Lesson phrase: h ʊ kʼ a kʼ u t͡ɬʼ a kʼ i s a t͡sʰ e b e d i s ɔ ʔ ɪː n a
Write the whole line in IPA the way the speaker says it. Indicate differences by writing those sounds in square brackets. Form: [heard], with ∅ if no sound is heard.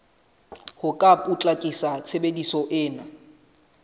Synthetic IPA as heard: h ʊ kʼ a [pʼ] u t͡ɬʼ a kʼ i s a t͡sʰ e b e d i s ɔ ʔ ɪː n a

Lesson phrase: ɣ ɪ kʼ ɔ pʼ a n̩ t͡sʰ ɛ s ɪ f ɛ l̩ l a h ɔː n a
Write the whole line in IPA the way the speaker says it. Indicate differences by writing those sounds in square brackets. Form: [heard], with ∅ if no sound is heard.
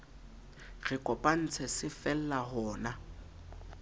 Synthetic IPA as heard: ɣ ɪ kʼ ɔ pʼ a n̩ t͡sʰ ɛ s ɪ f ɛ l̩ l a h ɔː n a

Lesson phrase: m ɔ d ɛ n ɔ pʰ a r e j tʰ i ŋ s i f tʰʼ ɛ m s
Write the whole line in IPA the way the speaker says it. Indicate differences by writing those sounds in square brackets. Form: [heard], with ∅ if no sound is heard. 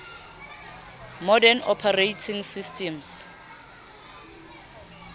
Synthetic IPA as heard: m ɔ d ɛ n ɔ pʰ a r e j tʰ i ŋ s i [s] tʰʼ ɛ m s

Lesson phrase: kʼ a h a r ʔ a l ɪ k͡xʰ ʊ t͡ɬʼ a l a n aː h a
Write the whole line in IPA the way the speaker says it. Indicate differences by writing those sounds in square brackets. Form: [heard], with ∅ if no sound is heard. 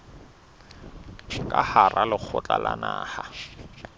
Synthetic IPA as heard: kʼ a h a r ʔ a l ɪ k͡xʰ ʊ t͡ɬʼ a l a n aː h a

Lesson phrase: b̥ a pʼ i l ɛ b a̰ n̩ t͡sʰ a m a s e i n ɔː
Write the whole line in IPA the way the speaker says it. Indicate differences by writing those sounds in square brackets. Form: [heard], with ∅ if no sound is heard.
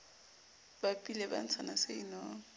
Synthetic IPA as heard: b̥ a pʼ i l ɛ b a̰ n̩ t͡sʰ a [n] a s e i n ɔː

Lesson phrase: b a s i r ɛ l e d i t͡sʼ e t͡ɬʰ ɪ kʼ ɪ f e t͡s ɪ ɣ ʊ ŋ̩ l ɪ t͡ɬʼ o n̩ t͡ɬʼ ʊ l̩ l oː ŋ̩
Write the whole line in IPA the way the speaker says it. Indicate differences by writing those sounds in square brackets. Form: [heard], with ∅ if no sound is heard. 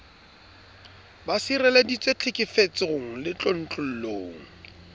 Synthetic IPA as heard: b a s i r ɛ l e d i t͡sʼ e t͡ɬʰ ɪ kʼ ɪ f e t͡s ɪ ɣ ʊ ŋ̩ l ɪ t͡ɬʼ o n̩ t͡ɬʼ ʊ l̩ l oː ŋ̩

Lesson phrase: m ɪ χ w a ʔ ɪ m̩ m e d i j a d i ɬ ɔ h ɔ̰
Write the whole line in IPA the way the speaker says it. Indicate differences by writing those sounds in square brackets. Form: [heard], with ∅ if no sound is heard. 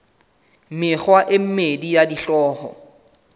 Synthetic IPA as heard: m ɪ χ w a ʔ ɪ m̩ m e d i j a d i ɬ [ɔː] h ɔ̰

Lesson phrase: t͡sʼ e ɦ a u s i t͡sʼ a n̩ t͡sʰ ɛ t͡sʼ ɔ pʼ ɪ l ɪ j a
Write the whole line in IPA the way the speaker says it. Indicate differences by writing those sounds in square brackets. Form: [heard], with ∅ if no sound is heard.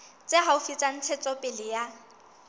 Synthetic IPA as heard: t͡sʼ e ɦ a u [f] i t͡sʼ a n̩ t͡sʰ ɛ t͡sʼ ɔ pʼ ɪ l ɪ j a

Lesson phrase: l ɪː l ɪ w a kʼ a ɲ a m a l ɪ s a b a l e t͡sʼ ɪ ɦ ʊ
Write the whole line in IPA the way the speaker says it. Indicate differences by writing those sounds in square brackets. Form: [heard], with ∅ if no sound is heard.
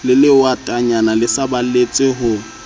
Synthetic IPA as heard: l [ɪ] l ɪ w a [tʼ] a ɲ a [n] a l ɪ s a b a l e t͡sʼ ɪ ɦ ʊ

